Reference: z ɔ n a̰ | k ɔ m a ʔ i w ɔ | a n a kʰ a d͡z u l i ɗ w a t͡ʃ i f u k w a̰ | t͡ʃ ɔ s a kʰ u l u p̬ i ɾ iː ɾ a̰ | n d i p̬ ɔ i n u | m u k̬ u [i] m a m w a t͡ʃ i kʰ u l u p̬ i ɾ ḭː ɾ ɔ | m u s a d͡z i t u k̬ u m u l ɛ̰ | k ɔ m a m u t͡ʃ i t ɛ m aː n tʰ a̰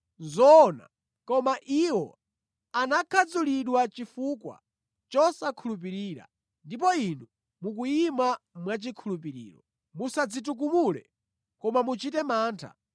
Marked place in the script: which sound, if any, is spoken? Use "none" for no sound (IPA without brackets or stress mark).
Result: i